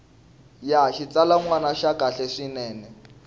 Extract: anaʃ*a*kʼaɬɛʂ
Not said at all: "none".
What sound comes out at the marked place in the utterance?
a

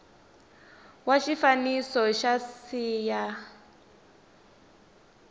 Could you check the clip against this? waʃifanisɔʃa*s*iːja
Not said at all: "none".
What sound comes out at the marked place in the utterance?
s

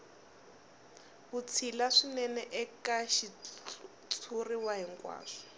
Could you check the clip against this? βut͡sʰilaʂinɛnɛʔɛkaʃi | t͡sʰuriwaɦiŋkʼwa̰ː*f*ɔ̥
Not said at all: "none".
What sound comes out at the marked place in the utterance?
ʂ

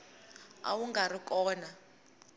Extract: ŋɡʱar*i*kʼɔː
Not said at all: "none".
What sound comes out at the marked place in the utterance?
i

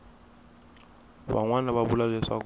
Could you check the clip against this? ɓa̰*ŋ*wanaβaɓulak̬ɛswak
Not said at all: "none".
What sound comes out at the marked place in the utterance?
ŋ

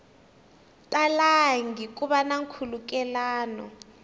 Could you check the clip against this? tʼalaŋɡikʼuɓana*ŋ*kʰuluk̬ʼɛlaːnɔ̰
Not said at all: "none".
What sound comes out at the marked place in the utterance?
ŋ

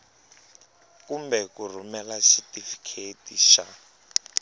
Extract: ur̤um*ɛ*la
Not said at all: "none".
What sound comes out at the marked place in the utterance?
ɛ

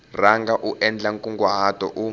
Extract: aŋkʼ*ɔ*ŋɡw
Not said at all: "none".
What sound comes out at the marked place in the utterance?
u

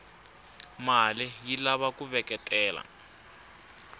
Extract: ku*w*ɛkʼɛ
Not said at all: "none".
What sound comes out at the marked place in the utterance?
β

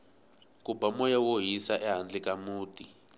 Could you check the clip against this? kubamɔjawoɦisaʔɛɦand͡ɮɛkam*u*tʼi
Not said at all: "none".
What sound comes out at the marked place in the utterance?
uː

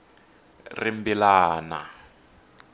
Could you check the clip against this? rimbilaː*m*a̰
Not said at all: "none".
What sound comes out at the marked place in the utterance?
n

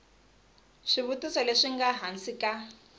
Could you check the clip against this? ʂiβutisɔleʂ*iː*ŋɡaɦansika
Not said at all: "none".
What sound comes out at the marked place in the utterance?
i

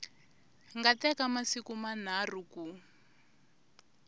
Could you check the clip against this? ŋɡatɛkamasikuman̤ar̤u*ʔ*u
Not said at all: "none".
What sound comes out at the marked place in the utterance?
k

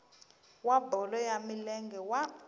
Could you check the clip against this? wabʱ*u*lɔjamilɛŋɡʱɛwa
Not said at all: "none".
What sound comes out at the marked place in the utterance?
ɔ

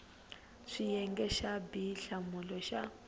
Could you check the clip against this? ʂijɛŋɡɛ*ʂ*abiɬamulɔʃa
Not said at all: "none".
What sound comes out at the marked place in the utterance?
ʃ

